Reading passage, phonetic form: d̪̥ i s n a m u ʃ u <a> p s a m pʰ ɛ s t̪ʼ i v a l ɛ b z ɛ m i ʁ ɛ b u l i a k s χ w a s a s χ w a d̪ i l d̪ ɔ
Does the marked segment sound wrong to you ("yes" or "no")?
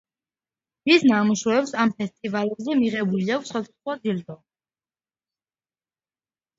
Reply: yes